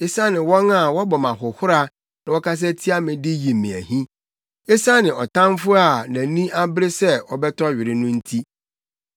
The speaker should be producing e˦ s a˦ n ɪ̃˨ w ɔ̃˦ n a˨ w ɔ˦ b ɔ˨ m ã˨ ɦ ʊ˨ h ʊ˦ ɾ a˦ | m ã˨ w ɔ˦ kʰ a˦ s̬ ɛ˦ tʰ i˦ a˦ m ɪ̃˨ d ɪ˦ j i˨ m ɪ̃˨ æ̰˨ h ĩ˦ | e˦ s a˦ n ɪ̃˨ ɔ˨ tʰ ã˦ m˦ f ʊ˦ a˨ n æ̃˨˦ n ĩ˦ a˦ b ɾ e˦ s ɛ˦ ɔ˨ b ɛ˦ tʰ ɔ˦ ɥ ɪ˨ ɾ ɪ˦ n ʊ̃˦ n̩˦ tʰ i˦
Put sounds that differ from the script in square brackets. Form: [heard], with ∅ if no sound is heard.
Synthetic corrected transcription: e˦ s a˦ n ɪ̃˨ w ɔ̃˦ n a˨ w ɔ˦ b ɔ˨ m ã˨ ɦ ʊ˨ h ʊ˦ ɾ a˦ | [n] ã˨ w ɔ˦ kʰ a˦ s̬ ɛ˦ tʰ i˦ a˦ m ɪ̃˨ d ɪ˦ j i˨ m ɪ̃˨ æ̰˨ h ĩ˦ | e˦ s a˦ n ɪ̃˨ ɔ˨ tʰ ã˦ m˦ f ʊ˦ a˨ n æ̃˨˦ n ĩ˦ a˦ b ɾ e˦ s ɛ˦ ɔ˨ b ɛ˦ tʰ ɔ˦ ɥ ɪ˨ ɾ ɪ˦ n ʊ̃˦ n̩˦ tʰ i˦

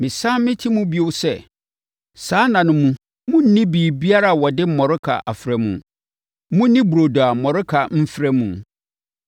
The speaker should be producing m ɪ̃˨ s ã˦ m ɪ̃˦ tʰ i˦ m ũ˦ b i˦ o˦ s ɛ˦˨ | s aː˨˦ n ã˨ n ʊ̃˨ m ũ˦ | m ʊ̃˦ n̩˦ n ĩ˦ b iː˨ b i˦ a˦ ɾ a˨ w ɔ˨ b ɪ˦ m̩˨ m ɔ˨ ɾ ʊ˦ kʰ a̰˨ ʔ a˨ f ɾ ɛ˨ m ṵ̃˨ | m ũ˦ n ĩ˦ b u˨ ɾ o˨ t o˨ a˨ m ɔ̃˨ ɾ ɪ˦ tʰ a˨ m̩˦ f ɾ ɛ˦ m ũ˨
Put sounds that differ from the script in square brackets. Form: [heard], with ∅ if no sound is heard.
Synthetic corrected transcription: m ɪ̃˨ s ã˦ m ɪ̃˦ tʰ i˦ m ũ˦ b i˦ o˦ s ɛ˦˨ | s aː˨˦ n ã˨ n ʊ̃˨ m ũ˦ | m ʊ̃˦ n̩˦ n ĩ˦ b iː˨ b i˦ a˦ ɾ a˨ w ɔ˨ [d] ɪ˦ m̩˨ m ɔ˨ ɾ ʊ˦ kʰ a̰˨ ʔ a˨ f ɾ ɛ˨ m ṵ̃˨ | m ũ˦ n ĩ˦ b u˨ ɾ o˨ [d] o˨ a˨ m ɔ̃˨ ɾ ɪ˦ [kʰ] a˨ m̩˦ f ɾ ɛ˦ m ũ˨

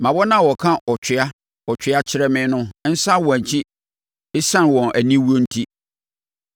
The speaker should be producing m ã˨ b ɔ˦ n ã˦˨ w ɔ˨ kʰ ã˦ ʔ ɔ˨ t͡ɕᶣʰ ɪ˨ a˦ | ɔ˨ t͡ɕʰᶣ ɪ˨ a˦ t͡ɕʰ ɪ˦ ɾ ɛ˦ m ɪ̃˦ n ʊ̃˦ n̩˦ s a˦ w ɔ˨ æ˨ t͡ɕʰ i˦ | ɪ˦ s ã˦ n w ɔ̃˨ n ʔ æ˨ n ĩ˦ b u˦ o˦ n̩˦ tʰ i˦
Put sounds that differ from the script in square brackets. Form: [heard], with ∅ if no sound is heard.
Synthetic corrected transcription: m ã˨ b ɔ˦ n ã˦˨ w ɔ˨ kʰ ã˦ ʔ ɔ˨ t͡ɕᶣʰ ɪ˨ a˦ | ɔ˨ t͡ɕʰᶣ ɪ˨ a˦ t͡ɕʰ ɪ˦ ɾ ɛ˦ m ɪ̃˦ n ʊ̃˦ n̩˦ s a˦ w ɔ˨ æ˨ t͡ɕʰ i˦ | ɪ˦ s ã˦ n w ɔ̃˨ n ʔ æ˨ n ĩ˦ [w] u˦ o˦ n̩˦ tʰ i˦

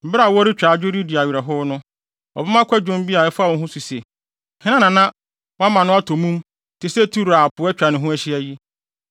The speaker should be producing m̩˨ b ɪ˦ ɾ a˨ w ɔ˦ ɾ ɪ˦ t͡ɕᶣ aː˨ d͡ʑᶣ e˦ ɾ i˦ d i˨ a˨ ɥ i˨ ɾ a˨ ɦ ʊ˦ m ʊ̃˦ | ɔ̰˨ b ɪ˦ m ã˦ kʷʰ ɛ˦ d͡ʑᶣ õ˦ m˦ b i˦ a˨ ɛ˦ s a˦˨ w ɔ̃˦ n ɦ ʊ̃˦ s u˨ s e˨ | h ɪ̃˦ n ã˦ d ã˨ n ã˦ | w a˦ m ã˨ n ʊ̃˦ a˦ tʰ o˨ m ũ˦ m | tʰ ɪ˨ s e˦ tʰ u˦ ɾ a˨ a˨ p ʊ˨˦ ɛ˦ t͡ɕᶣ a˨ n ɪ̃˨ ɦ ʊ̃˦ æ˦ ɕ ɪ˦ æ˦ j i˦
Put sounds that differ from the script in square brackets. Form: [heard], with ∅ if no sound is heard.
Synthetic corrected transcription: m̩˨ b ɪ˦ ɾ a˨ w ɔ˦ ɾ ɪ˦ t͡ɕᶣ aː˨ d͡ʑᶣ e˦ ɾ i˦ d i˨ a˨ ɥ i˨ ɾ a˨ ɦ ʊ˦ [n] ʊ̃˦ | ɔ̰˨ b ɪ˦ m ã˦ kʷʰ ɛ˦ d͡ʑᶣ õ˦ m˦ b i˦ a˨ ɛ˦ [f] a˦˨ w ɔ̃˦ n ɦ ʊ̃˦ s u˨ s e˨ | h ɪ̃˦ n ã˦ [n] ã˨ n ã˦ | w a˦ m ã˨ n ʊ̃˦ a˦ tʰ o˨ m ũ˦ m | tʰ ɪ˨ s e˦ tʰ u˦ ɾ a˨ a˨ p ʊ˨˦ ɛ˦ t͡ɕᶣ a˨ n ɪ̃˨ ɦ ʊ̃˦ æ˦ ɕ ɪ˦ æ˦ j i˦

